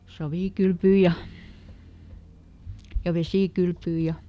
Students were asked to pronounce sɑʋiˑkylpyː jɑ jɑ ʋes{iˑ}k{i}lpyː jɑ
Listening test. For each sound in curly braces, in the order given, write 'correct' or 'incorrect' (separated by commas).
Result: correct, incorrect